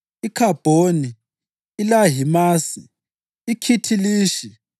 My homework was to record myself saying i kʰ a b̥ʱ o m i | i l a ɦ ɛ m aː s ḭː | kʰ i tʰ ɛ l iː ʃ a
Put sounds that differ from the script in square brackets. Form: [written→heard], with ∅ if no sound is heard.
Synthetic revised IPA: i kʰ a b̥ʱ o [m→n] i | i l a ɦ [ɛ→i] m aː s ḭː | kʰ i tʰ [ɛ→i] l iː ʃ [a→i]